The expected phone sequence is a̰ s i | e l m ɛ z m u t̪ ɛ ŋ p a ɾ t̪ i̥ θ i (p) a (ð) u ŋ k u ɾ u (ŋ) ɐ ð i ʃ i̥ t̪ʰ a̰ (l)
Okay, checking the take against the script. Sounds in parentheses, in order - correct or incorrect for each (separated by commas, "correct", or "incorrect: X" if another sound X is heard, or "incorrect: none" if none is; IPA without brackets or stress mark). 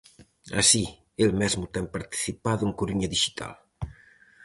correct, correct, incorrect: ɲ, correct